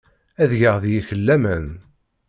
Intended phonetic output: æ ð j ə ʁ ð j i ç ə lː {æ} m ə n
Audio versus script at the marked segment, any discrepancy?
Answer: no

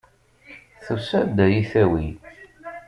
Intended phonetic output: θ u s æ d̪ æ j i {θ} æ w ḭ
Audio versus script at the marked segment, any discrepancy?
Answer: no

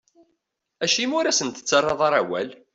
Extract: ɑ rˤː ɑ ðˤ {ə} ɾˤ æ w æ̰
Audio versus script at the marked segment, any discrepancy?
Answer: yes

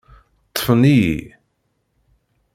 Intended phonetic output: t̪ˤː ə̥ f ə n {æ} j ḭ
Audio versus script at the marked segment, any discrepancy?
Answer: yes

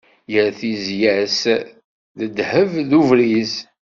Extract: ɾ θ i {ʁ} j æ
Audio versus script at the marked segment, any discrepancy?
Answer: yes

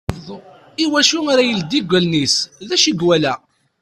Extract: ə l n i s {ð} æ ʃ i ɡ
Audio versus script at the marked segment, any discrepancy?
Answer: no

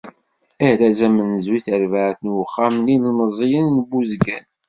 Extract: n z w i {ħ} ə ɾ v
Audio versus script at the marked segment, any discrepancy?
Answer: yes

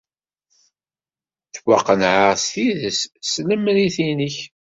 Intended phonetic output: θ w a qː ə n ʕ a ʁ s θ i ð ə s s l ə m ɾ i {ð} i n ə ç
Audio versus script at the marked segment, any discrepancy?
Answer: yes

